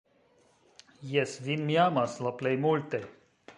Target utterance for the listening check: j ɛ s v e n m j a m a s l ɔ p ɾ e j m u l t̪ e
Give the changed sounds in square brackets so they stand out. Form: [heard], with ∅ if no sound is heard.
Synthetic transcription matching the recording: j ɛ s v [i] n m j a m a s l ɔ p [l] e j m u l t̪ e

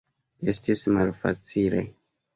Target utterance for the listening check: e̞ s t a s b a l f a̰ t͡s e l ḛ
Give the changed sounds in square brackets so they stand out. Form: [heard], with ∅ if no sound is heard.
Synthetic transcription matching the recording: e̞ s t [i] s [m] a l f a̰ t͡s [i] l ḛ

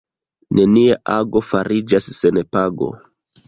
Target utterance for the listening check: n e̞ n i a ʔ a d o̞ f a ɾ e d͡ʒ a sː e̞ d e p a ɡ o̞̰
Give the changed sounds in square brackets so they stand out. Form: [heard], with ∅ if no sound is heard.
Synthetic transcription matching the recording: n e̞ n i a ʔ a [ɡ] o̞ f a ɾ [i] d͡ʒ a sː e̞ [n] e p a ɡ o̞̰

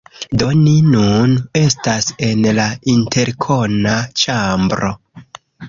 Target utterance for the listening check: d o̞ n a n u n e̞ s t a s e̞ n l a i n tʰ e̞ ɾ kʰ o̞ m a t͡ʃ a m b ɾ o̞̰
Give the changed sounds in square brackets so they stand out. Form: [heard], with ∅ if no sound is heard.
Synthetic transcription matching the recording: d o̞ n [i] n u n e̞ s t a s e̞ n l a i n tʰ e̞ ɾ kʰ o̞ [n] a t͡ʃ a m b ɾ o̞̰

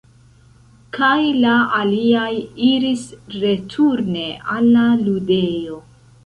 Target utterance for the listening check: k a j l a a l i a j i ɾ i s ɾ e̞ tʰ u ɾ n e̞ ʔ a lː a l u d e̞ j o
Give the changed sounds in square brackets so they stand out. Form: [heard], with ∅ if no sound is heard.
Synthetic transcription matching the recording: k a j l a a l i a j i ɾ i s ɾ e̞ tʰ u ɾ n e̞ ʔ a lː a l u d e̞ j o

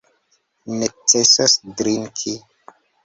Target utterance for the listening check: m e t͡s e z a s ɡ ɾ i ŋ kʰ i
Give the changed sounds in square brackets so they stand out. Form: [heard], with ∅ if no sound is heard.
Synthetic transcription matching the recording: [n] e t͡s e [s] a s [d] ɾ i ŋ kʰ i

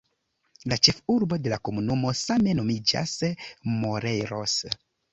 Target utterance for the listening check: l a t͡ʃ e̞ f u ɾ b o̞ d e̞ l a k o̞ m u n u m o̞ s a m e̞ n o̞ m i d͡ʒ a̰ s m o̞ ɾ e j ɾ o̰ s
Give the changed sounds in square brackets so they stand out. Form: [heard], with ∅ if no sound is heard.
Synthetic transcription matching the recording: l a t͡ʃ e̞ f u ɾ b o̞ d e̞ l a k o̞ m u n u m o̞ s a m e̞ n o̞ m i d͡ʒ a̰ s m o̞ ɾ e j ɾ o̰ s

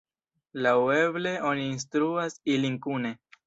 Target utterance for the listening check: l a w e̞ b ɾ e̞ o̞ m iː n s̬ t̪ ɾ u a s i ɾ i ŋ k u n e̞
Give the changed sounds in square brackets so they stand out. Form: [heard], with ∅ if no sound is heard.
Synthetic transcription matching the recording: l a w e̞ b [l] e̞ o̞ [n] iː n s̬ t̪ ɾ u a s i [l] i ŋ k u n e̞

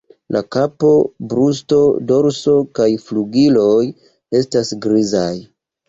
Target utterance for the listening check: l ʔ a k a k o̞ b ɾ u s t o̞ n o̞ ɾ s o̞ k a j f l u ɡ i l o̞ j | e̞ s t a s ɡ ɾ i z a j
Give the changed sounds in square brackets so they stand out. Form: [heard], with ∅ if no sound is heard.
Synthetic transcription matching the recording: l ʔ a k a [p] o̞ b ɾ u s t o̞ [d] o̞ ɾ s o̞ k a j f l u ɡ i l o̞ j | e̞ s t a s ɡ ɾ i z a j

